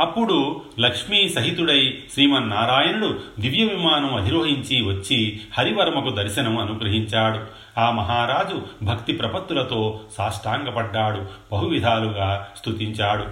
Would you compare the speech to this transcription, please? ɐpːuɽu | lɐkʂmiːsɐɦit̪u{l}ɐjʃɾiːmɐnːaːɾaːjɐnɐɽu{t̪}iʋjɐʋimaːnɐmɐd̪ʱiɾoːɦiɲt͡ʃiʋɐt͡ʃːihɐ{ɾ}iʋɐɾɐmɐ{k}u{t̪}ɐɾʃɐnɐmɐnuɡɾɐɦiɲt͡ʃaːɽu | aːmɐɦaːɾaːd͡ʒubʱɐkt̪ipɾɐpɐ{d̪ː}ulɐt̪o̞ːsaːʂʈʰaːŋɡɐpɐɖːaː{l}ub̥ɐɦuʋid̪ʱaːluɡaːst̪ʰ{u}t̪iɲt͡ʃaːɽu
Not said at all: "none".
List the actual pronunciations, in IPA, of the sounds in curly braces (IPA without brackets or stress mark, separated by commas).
ɽ, d̪, ɾ, k, d̪, t̪ː, ɽ, u